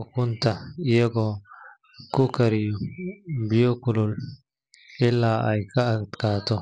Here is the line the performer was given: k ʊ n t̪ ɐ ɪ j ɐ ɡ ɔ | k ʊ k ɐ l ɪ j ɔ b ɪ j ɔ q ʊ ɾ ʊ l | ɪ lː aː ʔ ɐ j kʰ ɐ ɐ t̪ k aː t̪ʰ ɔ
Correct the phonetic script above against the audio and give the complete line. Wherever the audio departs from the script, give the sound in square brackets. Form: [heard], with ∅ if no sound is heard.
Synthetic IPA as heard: k ʊ n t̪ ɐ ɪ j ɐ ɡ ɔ | k ʊ k ɐ [ɾ] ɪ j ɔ b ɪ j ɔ [k] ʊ [l] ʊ l | ɪ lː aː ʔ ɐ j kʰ ɐ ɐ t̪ k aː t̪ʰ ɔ